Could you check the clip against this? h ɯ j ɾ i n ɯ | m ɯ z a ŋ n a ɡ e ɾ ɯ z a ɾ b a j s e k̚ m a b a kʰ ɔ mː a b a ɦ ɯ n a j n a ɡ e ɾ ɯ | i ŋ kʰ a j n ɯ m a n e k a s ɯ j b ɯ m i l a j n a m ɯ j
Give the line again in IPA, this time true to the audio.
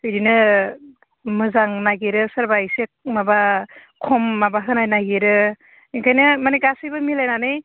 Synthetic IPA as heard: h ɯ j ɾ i n ɯ | m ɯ z a ŋ n a ɡ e ɾ ɯ s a ɾ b a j s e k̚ m a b a kʰ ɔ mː a b a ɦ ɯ n a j n a ɡ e ɾ ɯ | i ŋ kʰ a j n ɯ m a n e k a s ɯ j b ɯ m i l a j n a n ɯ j

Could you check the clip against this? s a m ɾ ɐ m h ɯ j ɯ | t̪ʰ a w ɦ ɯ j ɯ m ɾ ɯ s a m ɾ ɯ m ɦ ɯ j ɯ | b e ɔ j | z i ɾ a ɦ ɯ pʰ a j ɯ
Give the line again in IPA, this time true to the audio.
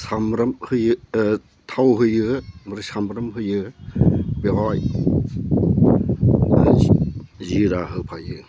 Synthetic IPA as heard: s a m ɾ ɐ m h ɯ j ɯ | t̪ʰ a w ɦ ɯ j ɯ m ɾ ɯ s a m ɾ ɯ m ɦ ɯ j ɯ | b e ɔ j | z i ɾ a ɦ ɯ pʰ a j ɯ

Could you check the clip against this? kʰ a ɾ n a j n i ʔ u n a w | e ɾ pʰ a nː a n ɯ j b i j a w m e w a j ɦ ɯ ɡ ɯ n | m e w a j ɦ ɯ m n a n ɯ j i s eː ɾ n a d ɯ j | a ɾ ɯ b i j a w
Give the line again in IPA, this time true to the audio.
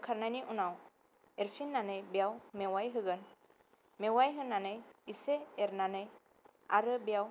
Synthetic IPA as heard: kʰ a ɾ n a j n i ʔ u n a w | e ɾ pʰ i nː a n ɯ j b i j a w m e w a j ɦ ɯ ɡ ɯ n | m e w a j ɦ ɯ n a n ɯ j i s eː ɾ n a n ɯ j | a ɾ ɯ b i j a w

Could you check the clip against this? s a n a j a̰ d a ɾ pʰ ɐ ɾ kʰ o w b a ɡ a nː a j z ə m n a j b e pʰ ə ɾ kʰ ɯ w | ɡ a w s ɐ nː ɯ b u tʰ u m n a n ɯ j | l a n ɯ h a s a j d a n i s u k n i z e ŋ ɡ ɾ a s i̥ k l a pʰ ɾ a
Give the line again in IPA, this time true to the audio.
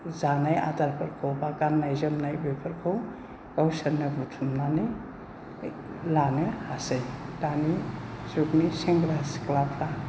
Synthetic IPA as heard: z a n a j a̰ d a ɾ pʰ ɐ ɾ kʰ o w b a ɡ a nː a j z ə m n a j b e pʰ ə ɾ kʰ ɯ w | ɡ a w s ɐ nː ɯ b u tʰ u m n a n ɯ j | l a n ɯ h a s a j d a n i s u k n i s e ŋ ɡ ɾ a s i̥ k l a pʰ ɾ a

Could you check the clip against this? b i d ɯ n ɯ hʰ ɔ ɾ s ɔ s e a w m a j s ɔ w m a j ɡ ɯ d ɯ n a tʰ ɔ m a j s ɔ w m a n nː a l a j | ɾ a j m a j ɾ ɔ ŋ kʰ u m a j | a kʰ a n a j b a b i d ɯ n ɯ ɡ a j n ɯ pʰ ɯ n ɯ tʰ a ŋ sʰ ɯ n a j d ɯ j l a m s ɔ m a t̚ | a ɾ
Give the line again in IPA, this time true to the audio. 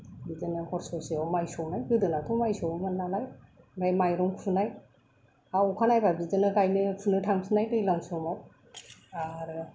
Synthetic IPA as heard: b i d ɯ n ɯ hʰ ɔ ɾ s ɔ s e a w m a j s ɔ w n a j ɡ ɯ d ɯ n a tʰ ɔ m a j s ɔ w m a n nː a l a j | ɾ a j m a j ɾ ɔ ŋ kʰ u n a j | a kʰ a n a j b a b i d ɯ n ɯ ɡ a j n ɯ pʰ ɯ n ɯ tʰ a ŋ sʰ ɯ n a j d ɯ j l a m s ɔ m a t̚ | a ɾ

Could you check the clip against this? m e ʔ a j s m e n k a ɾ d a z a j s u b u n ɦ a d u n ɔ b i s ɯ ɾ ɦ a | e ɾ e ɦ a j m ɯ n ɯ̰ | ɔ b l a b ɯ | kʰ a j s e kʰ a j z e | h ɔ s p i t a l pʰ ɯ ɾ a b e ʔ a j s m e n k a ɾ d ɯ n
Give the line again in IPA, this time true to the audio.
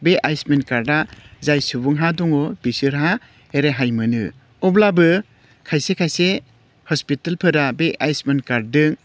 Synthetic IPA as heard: b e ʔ a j s m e n k a ɾ d a z a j s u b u ŋ ɦ a d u ŋ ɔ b i s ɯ ɾ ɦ a | e ɾ e ɦ a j m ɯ n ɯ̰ | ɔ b l a b ɯ | kʰ a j s e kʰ a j s e | h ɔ s p i t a l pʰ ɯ ɾ a b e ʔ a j s m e n k a ɾ d ɯ ŋ

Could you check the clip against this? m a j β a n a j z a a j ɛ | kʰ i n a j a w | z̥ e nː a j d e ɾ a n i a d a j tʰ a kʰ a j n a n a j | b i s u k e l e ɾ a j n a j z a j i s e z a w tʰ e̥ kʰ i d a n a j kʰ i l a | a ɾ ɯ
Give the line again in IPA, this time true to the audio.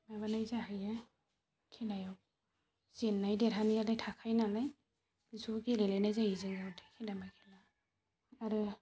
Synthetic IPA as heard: m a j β a n a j z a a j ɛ | kʰ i n a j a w | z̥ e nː a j d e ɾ a n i a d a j tʰ a kʰ a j n a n a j | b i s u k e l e l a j n a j z a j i z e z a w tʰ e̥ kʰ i d a m a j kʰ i l a | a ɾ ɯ

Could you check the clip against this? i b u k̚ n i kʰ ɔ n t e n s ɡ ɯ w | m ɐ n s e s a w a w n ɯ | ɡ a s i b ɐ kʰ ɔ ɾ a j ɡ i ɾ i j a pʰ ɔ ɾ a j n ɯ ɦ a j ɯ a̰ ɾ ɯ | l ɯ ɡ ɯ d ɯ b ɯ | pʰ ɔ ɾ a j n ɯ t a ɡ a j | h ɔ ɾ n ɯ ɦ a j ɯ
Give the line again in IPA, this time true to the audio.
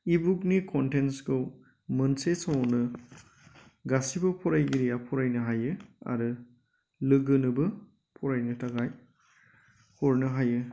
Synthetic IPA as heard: i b u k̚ n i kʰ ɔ n t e n s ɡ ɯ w | m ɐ n s e s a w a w n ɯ | ɡ a s i b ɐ pʰ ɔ ɾ a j ɡ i ɾ i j a pʰ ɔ ɾ a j n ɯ ɦ a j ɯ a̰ ɾ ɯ | l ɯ ɡ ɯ n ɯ b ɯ | pʰ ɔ ɾ a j n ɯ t a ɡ a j | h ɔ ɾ n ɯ ɦ a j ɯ

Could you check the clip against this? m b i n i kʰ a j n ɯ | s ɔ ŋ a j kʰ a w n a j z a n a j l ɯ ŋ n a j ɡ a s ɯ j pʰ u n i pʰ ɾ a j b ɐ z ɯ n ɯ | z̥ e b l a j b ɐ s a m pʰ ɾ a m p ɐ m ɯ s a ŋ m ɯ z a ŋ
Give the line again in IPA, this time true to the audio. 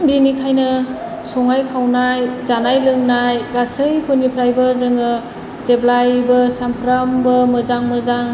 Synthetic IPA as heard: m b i n i kʰ a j n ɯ | s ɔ ŋ a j kʰ a w n a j z a n a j l ɯ ŋ n a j ɡ a s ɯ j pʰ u n i pʰ ɾ a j b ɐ z ɯ ŋ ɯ | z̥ e b l a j b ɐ s a m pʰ ɾ a m b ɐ m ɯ z a ŋ m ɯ z a ŋ

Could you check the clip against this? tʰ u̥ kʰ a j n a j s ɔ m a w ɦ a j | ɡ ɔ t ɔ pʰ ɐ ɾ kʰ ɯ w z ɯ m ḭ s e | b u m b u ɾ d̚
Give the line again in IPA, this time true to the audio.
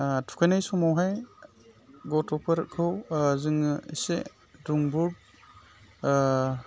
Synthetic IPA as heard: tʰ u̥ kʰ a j n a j s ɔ m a w ɦ a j | ɡ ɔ t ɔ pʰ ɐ ɾ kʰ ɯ w z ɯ ŋ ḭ s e | d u ŋ b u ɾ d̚

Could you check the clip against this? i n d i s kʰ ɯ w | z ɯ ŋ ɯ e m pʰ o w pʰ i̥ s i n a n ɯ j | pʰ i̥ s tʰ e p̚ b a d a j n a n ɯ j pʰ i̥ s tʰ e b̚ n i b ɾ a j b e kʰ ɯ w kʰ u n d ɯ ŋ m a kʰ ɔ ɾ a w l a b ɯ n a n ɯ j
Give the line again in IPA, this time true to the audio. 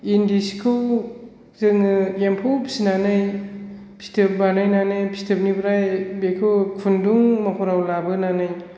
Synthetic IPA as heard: i n d i s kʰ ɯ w | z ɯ ŋ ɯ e m pʰ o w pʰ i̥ s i n a n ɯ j | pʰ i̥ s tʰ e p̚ b a n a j n a n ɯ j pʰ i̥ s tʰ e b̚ n i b ɾ a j b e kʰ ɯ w kʰ u n d u ŋ m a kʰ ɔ ɾ a w l a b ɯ n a n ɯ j

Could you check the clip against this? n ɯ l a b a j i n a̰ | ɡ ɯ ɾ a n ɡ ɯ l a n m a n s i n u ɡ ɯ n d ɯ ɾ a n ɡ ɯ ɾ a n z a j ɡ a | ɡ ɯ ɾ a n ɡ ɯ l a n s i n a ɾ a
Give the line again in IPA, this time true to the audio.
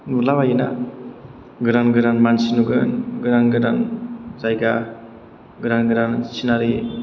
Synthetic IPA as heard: n u l a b a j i n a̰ | ɡ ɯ ɾ a n ɡ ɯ ɾ a n m a n s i n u ɡ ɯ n ɡ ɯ ɾ a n ɡ ɯ ɾ a n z a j ɡ a | ɡ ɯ ɾ a n ɡ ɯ ɾ a n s i n a ɾ i

